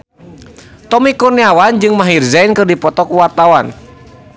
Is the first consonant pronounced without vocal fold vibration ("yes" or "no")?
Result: yes